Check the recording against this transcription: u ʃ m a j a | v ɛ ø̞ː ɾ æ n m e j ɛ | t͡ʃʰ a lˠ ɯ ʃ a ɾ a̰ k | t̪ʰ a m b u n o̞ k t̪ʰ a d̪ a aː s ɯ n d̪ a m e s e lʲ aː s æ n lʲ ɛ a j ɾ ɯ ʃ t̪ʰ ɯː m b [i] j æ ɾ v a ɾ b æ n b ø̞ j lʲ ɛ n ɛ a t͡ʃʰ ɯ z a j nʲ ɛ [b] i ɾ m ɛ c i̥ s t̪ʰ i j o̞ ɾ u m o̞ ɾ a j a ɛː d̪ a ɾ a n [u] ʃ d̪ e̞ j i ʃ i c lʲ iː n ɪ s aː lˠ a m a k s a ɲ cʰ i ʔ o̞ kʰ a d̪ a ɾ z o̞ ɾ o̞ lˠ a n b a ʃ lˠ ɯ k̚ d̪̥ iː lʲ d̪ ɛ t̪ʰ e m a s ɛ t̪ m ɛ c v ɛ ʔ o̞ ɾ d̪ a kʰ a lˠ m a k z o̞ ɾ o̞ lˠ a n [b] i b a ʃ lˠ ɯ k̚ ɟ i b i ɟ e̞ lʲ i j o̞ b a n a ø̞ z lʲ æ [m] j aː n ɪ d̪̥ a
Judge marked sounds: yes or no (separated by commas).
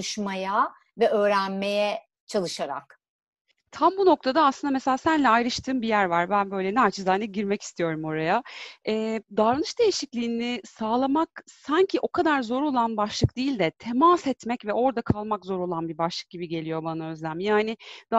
yes, no, no, yes, yes